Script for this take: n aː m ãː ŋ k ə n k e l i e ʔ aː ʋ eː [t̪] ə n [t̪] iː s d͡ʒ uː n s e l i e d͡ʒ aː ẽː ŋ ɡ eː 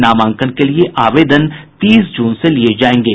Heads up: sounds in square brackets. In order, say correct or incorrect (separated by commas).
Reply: incorrect, correct